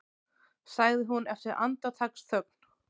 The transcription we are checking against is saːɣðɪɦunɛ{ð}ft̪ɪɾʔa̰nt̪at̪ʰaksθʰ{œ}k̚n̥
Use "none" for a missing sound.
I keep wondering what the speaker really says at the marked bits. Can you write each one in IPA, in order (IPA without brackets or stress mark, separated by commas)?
none, œ